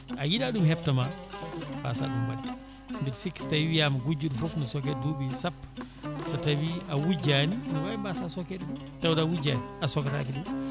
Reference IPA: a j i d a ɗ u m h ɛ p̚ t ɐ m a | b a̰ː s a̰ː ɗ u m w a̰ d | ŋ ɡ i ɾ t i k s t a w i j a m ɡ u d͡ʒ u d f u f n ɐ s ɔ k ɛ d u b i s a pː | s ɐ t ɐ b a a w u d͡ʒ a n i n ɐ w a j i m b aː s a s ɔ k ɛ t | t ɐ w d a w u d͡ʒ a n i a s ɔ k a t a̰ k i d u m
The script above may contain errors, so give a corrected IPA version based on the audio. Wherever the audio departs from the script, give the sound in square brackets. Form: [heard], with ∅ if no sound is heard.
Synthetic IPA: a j i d a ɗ u m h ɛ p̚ t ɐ m a | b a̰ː s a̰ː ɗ u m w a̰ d | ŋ ɡ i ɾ [s] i k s t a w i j a m ɡ u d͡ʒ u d f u f n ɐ s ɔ k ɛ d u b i s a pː | s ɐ t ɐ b [i] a w u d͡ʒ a n i n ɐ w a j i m b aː s a s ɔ k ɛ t | t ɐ w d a w u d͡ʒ a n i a s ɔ k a t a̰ k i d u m

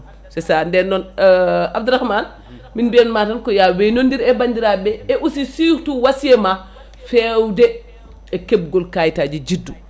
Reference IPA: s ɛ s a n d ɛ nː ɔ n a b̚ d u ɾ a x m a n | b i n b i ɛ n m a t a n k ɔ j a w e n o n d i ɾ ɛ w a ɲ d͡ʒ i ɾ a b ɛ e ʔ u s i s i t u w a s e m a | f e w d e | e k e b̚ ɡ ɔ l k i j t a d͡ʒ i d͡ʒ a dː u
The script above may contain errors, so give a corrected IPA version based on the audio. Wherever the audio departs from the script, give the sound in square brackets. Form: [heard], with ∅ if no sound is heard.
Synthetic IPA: s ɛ s a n d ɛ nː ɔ n a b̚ d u ɾ a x m a n | [m] i n b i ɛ n m a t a n k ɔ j a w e n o n d i ɾ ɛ [b] a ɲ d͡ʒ i ɾ a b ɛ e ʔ u s i s i t u w a s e m a | f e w d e | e k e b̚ ɡ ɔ l k [a] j t a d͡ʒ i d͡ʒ [i] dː u

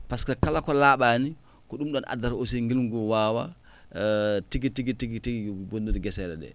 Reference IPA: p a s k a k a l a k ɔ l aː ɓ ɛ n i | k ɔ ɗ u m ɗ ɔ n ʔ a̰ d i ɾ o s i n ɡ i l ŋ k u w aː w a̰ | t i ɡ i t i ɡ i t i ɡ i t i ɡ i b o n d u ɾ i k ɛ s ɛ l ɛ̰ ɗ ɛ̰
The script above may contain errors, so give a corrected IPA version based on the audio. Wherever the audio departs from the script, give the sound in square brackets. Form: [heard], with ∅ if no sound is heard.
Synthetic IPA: p a s k a k a l a k ɔ l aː ɓ [a] n i | k ɔ ɗ u m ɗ ɔ n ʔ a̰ d [a] ɾ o s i [ŋ] ɡ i l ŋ [ɡ] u w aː w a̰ | t i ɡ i t i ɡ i t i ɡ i t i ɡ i b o n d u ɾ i [ɡ] ɛ s ɛ l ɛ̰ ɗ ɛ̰

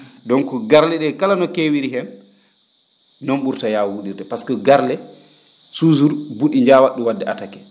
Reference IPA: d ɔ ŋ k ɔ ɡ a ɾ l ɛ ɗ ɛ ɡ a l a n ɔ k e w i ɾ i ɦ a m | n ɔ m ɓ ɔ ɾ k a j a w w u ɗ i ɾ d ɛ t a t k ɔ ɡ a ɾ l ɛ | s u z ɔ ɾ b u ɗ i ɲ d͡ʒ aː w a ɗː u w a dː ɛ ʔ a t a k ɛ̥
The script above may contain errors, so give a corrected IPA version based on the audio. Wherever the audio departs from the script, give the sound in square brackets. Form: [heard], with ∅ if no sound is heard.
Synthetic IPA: d ɔ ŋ k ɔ ɡ a ɾ l ɛ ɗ ɛ [k] a l a n ɔ k e w i ɾ i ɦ [ɛ] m | n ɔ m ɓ [u] ɾ [t] a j a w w u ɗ i ɾ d ɛ [p] a [s] k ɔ ɡ a ɾ l ɛ | s u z [u] ɾ b u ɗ i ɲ d͡ʒ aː w a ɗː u w a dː ɛ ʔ a t a k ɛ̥

